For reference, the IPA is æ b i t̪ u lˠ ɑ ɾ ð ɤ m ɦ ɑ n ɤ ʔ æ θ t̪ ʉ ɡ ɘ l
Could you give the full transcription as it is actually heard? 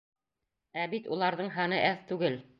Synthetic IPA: æ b i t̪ u lˠ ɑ ɾ ð ɤ ɴ ɦ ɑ n ɤ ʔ æ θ t̪ ʉ ɡ ɘ l